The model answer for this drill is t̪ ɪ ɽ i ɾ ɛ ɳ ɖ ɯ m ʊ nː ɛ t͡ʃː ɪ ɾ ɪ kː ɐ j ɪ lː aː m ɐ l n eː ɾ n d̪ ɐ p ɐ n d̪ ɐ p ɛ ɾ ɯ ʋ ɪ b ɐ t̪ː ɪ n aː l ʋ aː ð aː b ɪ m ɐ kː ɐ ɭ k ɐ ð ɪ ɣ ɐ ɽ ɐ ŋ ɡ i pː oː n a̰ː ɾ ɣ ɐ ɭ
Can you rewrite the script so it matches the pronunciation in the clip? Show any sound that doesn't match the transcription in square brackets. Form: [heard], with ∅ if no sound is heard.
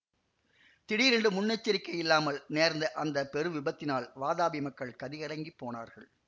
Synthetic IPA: t̪ ɪ ɽ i ɾ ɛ ɳ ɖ ɯ m ʊ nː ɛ t͡ʃː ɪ ɾ ɪ kː ɐ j ɪ lː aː m ɐ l n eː ɾ n d̪ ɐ [ʔ] ɐ n d̪ ɐ p ɛ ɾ ɯ ʋ ɪ b ɐ t̪ː ɪ n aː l ʋ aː ð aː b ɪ m ɐ kː ɐ ɭ k ɐ ð ɪ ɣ ɐ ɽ ɐ ŋ ɡ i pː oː n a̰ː ɾ ɣ ɐ ɭ